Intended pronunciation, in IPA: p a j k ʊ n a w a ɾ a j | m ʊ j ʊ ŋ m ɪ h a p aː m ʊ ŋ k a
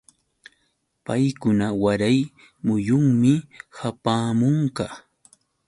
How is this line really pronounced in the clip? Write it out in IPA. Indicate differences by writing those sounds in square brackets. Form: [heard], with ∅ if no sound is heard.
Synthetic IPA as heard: p a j k ʊ n a w a ɾ a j | m ʊ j ʊ ŋ m ɪ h a p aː m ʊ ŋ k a